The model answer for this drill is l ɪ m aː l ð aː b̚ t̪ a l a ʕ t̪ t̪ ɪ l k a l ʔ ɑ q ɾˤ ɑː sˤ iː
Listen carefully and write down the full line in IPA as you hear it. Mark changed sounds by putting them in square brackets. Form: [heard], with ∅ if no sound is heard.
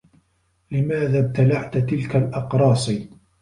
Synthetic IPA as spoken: l ɪ m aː [∅] ð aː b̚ t̪ a l a ʕ t̪ t̪ ɪ l k a l ʔ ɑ q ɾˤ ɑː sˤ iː